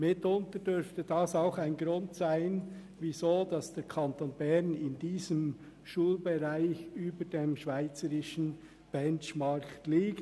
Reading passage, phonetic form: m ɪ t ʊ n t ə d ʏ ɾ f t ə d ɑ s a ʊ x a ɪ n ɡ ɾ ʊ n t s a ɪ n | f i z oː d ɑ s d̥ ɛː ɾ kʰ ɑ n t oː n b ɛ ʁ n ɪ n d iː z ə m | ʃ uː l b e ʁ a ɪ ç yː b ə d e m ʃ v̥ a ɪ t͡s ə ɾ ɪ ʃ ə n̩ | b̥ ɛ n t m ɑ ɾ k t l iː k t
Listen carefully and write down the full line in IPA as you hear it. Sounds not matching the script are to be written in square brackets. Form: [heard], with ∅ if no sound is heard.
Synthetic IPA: m ɪ t ʊ n t ə d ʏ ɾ f t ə d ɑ s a ʊ x a ɪ n ɡ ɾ ʊ n t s a ɪ n | [v] i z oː d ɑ s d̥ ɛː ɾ kʰ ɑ n t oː n b ɛ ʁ n ɪ n d iː z ə m | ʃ uː l b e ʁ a ɪ ç yː b ə d e m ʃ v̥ a ɪ t͡s ə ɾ ɪ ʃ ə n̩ | b̥ ɛ n [t͡ʃ] m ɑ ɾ k t l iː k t